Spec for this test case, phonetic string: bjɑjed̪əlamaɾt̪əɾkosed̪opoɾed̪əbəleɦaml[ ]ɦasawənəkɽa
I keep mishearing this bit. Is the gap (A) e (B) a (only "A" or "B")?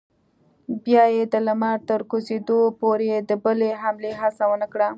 A